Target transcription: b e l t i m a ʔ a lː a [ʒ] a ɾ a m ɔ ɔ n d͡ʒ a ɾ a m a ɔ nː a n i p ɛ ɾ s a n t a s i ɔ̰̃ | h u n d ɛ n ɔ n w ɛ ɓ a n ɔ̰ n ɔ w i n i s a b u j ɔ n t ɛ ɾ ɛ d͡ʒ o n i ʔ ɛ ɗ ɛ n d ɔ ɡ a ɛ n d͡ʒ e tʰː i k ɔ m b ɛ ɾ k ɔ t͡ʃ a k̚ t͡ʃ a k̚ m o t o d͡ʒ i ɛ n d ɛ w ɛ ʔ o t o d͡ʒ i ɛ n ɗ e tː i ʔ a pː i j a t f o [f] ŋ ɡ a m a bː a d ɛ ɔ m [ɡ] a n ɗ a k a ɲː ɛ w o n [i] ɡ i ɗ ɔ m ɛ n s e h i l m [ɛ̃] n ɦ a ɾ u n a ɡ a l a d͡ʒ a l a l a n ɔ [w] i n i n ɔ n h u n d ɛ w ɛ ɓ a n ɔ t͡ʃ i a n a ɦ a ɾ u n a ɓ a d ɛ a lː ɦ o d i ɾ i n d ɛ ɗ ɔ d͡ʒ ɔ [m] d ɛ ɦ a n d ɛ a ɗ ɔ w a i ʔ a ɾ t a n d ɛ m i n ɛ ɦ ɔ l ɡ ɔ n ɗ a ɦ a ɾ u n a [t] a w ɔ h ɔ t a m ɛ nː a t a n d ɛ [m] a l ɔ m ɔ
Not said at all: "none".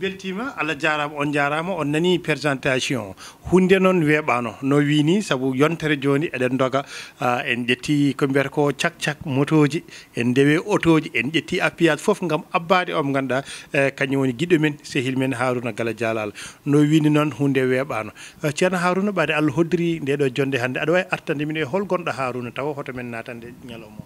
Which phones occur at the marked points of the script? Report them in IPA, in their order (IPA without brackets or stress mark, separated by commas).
d͡ʒ, f, ɡ, i, ɛ, w, n, t, ɲ